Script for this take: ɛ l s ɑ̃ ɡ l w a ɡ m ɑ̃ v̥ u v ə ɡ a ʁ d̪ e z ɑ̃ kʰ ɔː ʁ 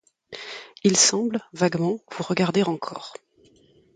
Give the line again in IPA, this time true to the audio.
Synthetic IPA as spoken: i l s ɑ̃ b l v a ɡ m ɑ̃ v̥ u ʁ ə ɡ a ʁ d̪ e ʁ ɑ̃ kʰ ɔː ʁ